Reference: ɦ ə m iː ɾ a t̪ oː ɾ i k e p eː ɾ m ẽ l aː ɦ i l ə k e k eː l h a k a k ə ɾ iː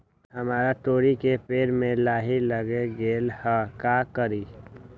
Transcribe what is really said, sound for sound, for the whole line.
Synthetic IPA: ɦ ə m aː ɾ a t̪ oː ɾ i k e p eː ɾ m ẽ l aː ɦ i l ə ɡ e ɡ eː l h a k a k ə ɾ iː